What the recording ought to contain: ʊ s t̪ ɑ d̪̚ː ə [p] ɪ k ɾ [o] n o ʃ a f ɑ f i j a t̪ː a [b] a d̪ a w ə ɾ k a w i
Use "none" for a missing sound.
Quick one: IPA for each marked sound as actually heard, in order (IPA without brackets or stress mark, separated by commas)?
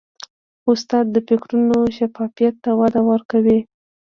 p, u, w